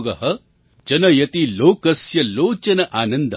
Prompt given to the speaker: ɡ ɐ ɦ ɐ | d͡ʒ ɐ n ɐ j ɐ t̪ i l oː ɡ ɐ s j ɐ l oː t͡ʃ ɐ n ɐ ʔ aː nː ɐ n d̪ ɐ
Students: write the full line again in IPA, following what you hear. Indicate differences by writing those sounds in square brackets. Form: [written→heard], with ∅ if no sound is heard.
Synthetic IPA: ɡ ɐ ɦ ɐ | d͡ʒ ɐ n ɐ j ɐ t̪ i l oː [ɡ→k] ɐ s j ɐ l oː t͡ʃ ɐ n ɐ ʔ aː [nː→n] ɐ n d̪ ɐ